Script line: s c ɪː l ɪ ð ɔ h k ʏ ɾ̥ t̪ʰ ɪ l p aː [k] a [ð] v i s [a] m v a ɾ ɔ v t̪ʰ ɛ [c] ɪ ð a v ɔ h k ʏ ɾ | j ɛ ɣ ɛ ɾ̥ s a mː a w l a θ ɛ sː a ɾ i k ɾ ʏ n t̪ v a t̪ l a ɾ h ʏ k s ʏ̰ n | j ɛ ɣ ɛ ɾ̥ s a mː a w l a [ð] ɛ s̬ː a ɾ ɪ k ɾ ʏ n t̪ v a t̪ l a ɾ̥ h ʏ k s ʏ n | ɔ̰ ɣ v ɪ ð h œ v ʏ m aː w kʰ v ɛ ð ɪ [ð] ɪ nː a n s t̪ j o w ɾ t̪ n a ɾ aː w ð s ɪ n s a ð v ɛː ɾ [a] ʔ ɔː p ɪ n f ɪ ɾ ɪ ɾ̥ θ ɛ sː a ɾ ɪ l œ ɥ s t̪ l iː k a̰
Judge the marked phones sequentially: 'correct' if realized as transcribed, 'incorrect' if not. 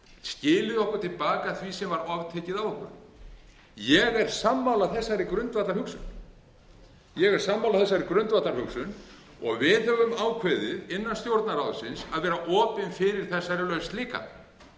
correct, incorrect, incorrect, correct, incorrect, correct, correct

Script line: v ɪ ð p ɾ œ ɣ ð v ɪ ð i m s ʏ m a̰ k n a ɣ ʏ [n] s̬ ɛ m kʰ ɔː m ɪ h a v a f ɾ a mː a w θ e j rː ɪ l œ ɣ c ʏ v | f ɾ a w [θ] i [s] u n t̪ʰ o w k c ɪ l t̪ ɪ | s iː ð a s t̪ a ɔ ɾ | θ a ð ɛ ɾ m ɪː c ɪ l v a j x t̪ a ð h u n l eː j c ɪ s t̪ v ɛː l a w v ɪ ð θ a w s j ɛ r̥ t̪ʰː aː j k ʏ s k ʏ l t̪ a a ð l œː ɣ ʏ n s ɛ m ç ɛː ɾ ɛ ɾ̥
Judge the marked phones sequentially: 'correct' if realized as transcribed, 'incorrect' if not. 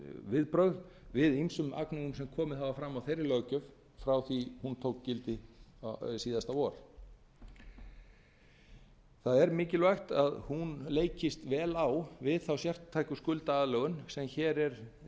incorrect, correct, incorrect

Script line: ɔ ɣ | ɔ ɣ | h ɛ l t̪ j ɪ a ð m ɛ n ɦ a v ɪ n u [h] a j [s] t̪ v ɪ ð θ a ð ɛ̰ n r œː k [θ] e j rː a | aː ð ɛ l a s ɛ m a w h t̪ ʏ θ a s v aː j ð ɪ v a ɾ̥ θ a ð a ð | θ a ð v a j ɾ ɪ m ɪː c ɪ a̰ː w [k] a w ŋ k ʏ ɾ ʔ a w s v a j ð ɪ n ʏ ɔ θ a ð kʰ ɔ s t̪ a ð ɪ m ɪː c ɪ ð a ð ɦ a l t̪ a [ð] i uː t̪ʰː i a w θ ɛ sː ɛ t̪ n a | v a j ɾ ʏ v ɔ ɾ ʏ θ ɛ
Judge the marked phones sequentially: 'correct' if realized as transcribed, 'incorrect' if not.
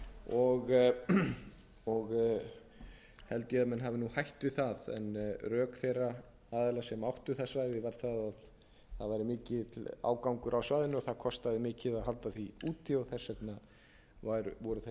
correct, incorrect, correct, correct, incorrect

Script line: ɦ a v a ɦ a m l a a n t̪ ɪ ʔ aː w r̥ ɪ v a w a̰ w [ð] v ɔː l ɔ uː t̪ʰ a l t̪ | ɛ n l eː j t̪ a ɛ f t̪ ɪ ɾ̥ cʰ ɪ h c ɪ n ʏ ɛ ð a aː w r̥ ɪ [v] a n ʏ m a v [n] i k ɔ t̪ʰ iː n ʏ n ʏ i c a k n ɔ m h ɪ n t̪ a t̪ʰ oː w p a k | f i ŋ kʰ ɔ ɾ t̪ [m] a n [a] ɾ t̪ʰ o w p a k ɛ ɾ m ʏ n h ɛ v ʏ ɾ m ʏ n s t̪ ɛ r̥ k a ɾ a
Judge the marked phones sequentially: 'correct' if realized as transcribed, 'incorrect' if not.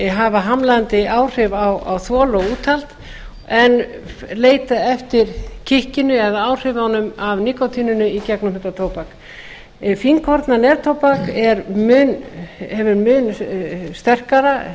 incorrect, correct, correct, incorrect, incorrect

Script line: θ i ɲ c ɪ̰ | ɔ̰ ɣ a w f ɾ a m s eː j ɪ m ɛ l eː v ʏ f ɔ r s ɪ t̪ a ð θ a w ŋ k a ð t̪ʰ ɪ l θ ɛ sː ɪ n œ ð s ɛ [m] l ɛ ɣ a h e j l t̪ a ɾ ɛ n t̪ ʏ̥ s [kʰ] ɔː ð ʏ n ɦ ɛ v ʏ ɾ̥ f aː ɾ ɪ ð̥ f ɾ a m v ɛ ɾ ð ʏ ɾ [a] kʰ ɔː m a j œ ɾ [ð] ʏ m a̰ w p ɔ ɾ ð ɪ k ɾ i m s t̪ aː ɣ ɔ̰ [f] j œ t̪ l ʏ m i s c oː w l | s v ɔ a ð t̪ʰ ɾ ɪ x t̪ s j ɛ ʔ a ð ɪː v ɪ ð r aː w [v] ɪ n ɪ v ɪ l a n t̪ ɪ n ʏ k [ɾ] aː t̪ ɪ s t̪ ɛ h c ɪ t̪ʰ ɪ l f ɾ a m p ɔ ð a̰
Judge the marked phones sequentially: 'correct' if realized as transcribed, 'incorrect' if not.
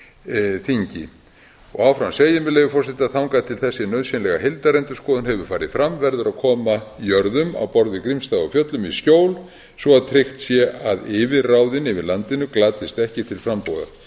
incorrect, incorrect, correct, correct, correct, incorrect, incorrect

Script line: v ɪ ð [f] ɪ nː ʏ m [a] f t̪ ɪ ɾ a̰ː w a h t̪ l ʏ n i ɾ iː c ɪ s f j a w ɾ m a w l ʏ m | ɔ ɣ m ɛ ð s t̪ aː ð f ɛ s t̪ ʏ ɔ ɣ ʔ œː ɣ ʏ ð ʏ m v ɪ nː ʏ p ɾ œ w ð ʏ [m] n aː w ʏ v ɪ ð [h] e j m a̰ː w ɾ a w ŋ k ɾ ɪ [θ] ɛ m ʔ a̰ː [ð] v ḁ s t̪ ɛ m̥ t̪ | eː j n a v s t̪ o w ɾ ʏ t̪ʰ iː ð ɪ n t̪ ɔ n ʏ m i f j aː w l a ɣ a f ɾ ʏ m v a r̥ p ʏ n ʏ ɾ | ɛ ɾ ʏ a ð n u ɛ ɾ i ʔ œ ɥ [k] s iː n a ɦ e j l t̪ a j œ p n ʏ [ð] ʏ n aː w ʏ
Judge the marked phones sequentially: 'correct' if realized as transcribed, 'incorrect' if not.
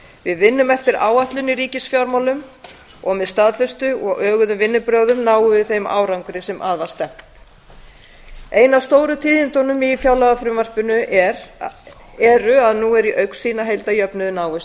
incorrect, incorrect, correct, incorrect, incorrect, correct, correct, correct

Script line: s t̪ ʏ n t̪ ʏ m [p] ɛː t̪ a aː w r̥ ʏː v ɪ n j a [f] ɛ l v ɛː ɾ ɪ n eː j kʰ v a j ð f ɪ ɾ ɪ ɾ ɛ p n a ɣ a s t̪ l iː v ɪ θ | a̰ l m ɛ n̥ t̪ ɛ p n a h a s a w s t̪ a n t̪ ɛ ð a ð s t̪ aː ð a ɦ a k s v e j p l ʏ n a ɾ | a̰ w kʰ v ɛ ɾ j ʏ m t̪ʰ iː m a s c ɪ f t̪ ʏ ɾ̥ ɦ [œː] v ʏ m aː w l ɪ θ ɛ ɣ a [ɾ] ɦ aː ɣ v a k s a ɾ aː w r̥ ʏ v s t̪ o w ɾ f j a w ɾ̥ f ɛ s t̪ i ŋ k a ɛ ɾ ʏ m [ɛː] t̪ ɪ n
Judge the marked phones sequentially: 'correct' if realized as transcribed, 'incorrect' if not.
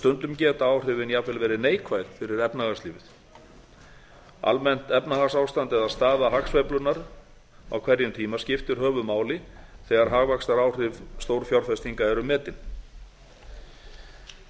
incorrect, incorrect, correct, correct, correct

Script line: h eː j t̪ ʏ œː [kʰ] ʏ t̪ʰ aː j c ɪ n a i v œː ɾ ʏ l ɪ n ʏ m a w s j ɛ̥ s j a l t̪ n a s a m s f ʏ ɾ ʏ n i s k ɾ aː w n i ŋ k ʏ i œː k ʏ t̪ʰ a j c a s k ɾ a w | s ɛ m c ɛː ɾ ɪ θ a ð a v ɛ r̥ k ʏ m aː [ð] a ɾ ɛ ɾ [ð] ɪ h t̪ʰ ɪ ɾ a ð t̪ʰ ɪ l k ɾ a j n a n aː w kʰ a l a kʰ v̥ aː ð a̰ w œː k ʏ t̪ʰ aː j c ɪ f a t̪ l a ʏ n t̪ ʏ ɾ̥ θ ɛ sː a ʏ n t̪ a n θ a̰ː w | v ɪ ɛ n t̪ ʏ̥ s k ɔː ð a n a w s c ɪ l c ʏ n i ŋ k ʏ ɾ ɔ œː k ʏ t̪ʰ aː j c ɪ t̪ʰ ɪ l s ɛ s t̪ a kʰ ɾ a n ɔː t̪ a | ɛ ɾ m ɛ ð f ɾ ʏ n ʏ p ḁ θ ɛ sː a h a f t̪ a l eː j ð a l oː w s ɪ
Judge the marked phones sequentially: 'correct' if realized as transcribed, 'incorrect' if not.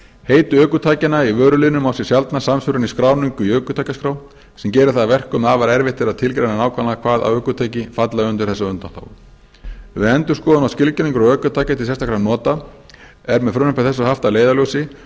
incorrect, incorrect, incorrect

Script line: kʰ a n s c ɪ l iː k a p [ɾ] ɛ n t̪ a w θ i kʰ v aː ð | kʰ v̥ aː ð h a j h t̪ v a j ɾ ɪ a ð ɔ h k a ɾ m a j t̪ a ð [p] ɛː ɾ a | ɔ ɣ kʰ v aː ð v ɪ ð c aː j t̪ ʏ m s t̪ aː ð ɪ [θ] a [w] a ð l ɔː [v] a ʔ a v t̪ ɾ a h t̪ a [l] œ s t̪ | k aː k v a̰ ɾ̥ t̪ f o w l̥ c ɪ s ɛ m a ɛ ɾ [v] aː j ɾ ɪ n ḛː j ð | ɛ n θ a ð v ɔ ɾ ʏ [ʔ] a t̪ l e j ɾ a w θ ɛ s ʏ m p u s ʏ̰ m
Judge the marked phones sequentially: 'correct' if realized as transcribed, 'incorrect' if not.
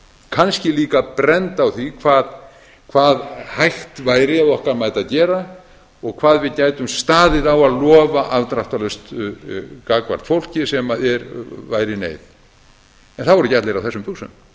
correct, incorrect, incorrect, correct, correct, correct, correct, incorrect

